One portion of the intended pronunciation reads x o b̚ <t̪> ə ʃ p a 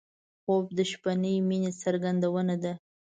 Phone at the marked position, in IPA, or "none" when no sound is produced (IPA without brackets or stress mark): d̪